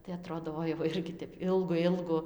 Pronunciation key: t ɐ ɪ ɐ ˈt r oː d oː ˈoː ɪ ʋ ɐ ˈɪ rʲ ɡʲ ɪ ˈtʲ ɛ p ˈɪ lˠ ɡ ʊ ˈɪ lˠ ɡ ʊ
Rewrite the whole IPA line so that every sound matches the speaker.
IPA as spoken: t ɐ ɪ ɐ ˈt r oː d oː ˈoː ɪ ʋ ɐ ˈɪ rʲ ɡʲ ɪ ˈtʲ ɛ p ˈɪ lˠ ɡ ʊ ˈɪ lˠ ɡ ʊ